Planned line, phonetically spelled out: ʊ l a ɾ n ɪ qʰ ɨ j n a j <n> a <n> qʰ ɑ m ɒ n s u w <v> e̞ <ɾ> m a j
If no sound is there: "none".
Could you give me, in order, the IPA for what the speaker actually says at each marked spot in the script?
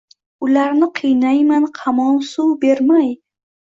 m, n, b, ɾ

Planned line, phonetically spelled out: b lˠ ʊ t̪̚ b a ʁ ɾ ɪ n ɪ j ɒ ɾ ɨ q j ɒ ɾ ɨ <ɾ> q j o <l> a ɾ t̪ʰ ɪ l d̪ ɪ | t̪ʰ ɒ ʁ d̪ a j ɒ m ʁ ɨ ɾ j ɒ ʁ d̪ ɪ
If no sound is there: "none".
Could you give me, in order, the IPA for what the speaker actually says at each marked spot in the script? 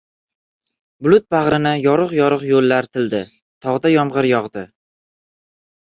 none, lː

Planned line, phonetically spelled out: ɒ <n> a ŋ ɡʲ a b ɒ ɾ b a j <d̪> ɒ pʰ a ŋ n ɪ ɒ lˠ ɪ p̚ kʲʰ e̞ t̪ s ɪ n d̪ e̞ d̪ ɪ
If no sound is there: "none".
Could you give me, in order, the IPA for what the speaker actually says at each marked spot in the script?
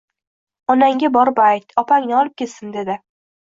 n, t̪

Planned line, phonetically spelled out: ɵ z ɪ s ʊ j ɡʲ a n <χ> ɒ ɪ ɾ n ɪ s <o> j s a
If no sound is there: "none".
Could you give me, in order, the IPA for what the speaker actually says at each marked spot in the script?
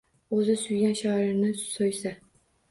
ʃ, o

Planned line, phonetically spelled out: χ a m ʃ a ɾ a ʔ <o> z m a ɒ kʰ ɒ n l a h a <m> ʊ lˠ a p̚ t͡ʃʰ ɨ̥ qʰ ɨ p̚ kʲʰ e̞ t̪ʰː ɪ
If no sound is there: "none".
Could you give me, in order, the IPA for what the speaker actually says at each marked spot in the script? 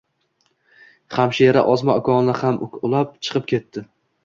ɒ, m

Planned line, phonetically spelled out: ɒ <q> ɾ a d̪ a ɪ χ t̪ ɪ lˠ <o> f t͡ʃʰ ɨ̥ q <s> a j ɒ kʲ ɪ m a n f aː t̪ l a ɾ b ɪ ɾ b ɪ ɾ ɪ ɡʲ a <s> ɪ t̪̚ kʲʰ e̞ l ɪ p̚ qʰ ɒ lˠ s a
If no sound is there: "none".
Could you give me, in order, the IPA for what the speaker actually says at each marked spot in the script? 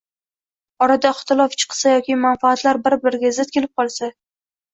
none, ɒ, s, z

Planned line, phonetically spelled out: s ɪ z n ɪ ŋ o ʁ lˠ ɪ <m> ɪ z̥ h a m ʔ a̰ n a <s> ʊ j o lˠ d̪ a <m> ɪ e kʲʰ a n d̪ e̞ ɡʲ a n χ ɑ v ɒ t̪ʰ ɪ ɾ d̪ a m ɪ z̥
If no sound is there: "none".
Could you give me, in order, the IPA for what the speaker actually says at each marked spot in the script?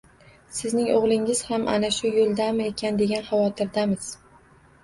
ŋ, ʃ, m

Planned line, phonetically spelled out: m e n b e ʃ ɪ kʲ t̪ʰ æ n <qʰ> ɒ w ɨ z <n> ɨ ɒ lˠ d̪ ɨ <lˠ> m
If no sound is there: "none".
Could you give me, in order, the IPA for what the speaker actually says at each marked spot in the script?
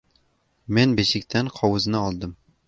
qʰ, n, none

